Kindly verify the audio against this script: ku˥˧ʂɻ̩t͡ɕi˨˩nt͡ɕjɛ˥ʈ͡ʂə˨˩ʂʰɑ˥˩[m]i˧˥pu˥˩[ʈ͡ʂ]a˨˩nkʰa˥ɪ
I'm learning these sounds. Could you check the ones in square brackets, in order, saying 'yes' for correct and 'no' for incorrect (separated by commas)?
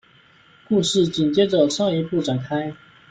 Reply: no, yes